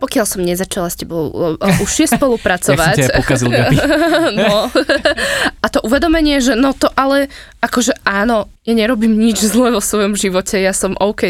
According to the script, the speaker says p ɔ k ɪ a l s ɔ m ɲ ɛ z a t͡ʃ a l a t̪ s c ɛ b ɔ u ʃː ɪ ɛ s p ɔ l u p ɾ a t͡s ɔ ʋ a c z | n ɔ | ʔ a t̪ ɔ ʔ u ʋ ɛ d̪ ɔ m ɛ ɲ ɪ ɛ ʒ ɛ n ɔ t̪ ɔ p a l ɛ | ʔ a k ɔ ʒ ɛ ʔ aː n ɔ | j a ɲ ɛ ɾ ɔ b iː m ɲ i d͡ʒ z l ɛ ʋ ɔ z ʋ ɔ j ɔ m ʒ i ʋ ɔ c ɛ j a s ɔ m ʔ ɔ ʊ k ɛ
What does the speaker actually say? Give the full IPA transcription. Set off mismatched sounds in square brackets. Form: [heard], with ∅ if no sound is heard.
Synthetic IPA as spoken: p ɔ k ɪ a l s ɔ m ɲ ɛ z a t͡ʃ a l a [∅] s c ɛ b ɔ u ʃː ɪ ɛ s p ɔ l u p ɾ a t͡s ɔ ʋ a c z | n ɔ | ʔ a t̪ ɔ ʔ u ʋ ɛ d̪ ɔ m ɛ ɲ ɪ ɛ ʒ ɛ n ɔ t̪ ɔ [ʔ] a l ɛ | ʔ a k ɔ ʒ ɛ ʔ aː n ɔ | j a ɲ ɛ ɾ ɔ b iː m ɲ i d͡ʒ z l ɛ ʋ ɔ [s] ʋ ɔ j ɔ m ʒ i ʋ ɔ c ɛ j a s ɔ m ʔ ɔ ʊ k ɛ